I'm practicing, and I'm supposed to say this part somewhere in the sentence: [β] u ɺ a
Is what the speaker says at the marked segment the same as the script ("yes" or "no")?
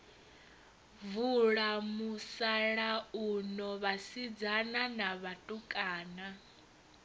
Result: no